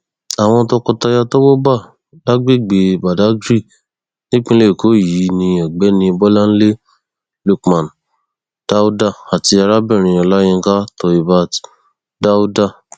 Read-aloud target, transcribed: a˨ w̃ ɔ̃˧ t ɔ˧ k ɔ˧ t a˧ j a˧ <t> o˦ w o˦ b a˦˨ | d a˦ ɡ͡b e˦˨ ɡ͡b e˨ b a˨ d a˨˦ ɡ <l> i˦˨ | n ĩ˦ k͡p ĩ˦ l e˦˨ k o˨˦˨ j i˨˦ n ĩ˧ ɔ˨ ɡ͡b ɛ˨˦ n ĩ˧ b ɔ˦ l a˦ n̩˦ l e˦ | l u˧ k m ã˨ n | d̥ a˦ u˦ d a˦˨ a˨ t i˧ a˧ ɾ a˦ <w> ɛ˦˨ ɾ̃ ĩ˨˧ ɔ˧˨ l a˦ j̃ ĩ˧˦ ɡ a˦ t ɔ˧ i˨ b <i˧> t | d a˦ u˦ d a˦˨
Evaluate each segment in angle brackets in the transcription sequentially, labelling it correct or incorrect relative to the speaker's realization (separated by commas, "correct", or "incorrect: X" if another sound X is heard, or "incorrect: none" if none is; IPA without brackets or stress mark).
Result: correct, incorrect: ɾ, incorrect: b, incorrect: a˧